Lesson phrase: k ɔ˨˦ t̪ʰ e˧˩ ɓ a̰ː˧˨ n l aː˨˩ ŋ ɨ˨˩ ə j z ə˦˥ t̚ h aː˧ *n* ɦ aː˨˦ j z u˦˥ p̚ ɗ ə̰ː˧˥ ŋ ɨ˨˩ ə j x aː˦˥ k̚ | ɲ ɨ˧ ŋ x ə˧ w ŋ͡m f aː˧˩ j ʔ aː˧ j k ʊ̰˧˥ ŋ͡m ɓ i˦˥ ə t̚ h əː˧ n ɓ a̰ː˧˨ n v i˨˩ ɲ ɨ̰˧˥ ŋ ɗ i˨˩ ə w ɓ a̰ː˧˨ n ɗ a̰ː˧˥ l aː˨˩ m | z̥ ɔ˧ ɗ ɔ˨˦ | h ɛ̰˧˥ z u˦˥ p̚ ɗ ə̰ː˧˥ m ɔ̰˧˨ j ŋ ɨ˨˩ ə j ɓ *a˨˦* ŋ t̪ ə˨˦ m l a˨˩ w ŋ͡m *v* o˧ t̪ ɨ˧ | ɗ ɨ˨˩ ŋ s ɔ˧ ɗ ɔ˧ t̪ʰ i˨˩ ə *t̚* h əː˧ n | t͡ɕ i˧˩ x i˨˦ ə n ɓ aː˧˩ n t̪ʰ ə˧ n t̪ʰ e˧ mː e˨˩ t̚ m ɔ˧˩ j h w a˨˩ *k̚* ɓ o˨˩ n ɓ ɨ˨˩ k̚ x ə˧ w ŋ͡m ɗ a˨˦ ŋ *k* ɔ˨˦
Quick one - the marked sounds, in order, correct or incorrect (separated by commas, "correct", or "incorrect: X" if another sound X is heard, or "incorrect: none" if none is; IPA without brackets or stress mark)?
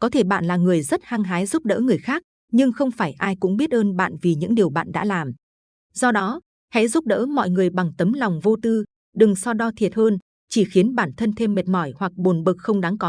incorrect: ŋ, incorrect: a˨˩, correct, correct, correct, correct